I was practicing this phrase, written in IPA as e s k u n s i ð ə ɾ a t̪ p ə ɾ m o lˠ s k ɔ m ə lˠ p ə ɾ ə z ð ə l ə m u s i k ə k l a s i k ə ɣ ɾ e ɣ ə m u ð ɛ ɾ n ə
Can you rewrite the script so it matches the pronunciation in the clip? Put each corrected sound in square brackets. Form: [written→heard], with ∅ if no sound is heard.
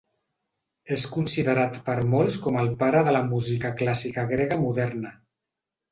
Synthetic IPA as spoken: e s k u n s i ð ə ɾ a t̪ p ə ɾ m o lˠ s k ɔ m ə lˠ p [ə→a] ɾ ə [z→∅] ð ə l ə m u [s→z] i k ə k l a s i k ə ɣ ɾ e ɣ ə m u ð ɛ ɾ n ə